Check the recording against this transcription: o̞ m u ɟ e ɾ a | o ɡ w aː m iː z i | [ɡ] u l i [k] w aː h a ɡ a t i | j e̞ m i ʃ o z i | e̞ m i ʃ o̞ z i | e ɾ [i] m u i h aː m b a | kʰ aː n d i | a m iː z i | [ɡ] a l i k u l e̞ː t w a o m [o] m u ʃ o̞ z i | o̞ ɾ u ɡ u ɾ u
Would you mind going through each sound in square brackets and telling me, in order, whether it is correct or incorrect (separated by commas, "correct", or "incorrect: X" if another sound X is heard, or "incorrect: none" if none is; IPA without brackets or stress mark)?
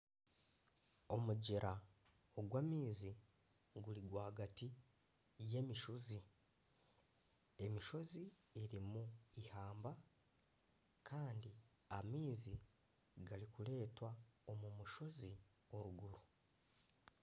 correct, incorrect: ɡ, correct, correct, incorrect: u